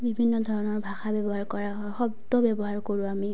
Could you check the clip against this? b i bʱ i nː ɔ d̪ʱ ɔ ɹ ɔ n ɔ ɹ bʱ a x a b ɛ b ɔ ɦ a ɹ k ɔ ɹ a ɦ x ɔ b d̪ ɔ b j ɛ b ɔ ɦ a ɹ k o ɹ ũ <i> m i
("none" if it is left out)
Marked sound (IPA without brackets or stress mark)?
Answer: a